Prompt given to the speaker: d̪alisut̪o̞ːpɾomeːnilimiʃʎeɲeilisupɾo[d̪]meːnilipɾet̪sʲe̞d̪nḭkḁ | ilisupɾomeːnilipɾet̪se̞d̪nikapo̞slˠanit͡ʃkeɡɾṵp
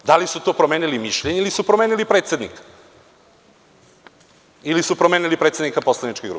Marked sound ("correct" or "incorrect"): incorrect